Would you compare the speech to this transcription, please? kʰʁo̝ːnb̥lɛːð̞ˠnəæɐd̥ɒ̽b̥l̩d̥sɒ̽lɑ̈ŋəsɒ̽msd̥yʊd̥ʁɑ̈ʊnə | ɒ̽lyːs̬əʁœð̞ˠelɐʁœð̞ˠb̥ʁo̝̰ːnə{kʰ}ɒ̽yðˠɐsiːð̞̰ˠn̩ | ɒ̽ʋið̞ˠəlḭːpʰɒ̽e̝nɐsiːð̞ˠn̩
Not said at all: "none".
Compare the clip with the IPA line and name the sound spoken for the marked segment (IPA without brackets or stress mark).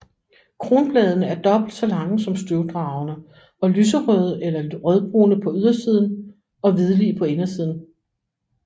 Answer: pʰ